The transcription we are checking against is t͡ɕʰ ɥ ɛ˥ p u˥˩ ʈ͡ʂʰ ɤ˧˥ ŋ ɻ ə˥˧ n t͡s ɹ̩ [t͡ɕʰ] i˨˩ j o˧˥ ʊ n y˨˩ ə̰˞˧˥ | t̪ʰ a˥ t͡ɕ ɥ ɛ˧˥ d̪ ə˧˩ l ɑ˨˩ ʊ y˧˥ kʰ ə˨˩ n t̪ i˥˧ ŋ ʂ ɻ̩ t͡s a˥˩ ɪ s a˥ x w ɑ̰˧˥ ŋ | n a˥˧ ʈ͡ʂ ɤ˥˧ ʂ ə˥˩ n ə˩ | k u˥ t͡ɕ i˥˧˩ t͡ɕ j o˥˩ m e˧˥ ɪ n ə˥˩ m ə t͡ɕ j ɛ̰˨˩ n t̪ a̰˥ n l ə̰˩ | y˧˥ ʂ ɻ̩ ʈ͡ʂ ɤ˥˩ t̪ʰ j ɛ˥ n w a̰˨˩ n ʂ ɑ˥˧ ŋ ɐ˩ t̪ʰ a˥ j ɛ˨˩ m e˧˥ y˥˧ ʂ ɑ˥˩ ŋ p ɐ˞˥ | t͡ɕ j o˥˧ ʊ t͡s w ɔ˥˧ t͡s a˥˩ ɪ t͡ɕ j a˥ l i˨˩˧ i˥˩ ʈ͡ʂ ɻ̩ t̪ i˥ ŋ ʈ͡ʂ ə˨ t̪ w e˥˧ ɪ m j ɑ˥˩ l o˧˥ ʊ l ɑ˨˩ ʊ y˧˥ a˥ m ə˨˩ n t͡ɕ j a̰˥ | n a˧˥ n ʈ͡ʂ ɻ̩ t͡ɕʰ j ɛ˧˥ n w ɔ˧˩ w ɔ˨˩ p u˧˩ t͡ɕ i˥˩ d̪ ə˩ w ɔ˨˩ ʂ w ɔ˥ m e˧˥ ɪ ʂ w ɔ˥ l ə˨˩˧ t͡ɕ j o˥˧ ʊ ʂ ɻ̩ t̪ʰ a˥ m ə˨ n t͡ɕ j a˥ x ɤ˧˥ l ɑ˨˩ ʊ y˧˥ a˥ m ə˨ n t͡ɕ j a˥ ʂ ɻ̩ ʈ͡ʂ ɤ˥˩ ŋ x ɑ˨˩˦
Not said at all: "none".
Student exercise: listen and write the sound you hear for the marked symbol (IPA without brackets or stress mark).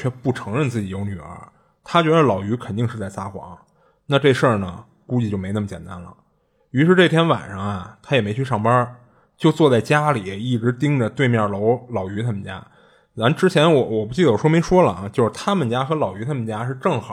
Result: t͡ɕ